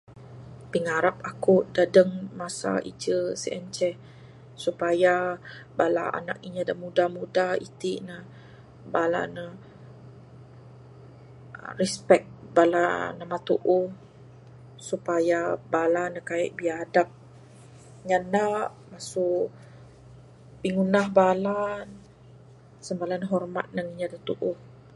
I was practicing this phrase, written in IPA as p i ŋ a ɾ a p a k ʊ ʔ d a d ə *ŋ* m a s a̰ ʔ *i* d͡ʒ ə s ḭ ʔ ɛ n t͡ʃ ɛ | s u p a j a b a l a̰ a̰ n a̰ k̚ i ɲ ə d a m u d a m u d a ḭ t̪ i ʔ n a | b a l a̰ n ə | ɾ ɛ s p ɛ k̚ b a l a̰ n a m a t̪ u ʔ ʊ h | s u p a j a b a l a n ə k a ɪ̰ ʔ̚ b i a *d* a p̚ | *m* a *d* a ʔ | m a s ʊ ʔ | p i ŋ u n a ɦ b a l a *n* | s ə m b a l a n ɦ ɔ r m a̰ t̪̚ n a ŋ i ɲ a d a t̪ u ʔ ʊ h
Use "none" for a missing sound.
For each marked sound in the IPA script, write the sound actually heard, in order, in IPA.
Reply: ŋ, i, d, ɲ, n, n

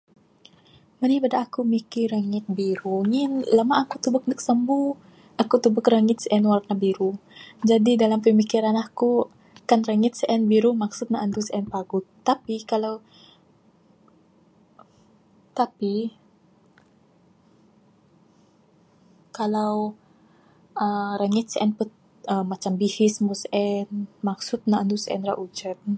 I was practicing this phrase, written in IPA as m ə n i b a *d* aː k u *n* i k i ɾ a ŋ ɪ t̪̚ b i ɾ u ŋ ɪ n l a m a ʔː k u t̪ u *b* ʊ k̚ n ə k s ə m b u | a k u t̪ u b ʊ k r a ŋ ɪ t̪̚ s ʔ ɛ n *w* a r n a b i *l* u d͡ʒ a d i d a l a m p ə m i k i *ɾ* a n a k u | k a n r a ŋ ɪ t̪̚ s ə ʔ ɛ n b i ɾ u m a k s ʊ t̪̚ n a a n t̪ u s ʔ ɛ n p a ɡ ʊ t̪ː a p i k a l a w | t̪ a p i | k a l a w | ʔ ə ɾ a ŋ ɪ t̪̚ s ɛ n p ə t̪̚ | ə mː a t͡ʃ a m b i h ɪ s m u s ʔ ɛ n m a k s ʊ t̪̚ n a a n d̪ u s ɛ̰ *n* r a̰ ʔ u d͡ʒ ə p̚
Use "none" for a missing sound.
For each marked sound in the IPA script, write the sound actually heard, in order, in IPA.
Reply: d, m, b, w, ɾ, ɾ, n

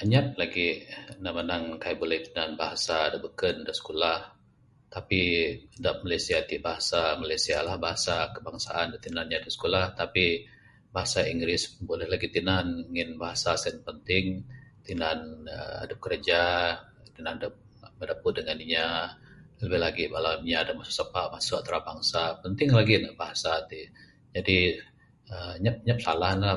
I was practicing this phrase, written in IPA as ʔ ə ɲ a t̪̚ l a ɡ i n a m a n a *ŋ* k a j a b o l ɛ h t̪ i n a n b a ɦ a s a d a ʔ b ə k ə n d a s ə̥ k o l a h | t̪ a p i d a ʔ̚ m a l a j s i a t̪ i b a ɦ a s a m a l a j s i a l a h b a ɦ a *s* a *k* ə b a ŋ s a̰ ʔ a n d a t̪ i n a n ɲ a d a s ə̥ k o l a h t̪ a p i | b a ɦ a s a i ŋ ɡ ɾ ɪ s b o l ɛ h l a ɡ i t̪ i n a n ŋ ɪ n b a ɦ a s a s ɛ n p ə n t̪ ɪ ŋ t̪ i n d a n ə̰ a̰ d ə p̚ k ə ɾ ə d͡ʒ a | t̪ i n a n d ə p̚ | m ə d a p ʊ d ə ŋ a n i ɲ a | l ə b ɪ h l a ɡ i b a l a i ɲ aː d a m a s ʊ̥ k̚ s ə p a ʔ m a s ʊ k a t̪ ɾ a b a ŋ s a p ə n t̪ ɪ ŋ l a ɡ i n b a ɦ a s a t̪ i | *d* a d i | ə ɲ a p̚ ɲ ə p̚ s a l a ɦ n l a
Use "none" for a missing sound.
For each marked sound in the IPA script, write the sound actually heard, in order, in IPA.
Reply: ŋ, s, k, d͡ʒ

